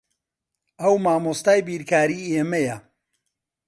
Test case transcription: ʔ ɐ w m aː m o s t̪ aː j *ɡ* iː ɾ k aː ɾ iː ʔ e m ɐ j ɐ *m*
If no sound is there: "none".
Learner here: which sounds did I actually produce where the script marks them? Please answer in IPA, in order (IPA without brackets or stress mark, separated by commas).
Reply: b, none